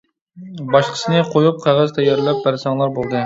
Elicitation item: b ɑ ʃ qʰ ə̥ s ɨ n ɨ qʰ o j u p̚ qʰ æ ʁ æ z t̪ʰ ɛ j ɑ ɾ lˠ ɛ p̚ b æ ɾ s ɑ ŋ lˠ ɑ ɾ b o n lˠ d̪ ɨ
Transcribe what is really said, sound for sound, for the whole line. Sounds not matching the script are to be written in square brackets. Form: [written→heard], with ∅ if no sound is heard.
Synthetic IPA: b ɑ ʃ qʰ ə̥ s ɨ n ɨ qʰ o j u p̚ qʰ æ ʁ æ z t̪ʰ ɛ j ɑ ɾ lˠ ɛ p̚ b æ ɾ s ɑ ŋ lˠ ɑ ɾ b o [n→∅] lˠ d̪ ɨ